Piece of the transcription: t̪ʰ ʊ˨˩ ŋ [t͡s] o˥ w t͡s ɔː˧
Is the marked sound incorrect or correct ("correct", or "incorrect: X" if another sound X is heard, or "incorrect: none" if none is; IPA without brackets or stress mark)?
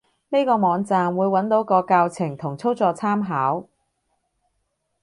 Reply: incorrect: t͡sʰ